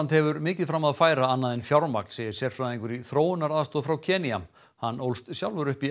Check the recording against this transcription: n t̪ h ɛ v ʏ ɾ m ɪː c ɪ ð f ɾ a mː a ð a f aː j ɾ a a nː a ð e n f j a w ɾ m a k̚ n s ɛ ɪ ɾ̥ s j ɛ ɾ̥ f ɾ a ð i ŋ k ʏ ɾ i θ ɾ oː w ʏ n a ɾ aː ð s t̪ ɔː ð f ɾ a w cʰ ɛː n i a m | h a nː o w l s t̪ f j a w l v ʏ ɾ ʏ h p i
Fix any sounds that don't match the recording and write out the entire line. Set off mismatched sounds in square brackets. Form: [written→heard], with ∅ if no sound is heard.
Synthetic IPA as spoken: n t̪ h ɛ v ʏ ɾ m ɪː c ɪ ð f ɾ a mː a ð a f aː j ɾ a a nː a ð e n f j a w ɾ m a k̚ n s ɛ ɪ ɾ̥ s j ɛ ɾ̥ f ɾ a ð i ŋ k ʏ ɾ i θ ɾ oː w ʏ n a ɾ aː ð s t̪ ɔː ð f ɾ a w cʰ ɛː n i a m | h a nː o w l s t̪ [f→s] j a w l v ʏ ɾ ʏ h p i